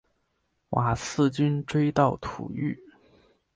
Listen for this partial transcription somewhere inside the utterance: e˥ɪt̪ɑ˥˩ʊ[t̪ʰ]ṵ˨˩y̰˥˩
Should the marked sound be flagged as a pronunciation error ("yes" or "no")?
no